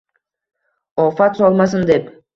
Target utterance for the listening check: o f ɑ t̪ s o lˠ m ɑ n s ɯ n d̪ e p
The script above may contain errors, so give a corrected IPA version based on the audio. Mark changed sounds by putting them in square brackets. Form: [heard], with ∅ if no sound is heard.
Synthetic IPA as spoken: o f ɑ t̪ s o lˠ m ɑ [∅] s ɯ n d̪ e p